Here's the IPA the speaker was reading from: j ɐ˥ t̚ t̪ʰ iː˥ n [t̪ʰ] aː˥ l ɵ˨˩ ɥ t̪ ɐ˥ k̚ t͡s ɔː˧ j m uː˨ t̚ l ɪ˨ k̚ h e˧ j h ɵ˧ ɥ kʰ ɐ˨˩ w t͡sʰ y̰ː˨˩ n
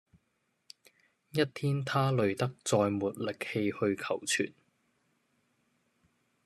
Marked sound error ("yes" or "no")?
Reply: no